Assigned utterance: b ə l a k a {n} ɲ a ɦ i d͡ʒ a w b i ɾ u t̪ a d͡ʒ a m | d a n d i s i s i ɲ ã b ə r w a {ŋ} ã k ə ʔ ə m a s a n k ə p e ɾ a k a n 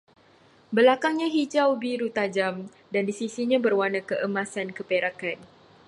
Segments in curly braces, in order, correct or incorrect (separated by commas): incorrect, incorrect